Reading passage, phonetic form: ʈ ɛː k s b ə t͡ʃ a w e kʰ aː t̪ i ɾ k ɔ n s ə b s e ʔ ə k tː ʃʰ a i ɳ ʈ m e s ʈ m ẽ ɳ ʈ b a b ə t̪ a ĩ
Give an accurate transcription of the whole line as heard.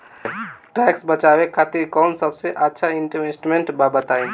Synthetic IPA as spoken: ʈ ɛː k s b ə t͡ʃ a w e kʰ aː t̪ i ɾ k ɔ n s ə b s e ʔ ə tː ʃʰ a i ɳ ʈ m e s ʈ m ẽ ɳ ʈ b a b ə t̪ a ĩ